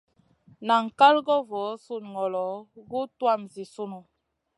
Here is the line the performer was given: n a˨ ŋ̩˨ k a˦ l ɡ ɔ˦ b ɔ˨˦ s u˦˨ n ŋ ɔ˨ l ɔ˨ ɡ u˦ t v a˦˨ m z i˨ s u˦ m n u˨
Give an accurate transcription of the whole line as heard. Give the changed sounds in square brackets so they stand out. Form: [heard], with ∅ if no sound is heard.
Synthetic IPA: n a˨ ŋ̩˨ k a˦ l ɡ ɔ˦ [v] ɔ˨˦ s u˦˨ n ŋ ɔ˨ l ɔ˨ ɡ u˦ t [w] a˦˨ m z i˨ s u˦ [∅] n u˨